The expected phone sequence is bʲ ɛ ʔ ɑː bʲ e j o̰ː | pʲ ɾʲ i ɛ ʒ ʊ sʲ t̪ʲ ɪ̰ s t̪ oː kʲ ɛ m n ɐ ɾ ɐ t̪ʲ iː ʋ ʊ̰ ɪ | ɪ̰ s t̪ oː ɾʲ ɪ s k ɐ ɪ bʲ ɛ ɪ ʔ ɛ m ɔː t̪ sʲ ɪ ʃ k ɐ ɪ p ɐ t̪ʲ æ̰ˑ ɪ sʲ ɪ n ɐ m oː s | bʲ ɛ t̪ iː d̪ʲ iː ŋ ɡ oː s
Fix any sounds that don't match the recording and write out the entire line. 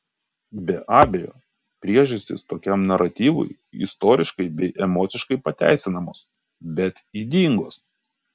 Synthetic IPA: bʲ ɛ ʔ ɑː bʲ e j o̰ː | pʲ ɾʲ i ɛ ʒ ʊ sʲ t̪ʲ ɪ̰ s t̪ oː kʲ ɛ m n ɐ ɾ ɐ t̪ʲ iː ʋ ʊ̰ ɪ | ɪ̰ s t̪ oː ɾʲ ɪ ʃ k ɐ ɪ bʲ ɛ ɪ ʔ ɛ m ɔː t̪ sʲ ɪ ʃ k ɐ ɪ p ɐ t̪ʲ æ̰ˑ ɪ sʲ ɪ n ɐ m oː s | bʲ ɛ t̪ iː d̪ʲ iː ŋ ɡ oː s